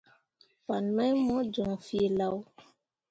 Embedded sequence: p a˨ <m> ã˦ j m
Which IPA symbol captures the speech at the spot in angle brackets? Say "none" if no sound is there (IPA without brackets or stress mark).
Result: n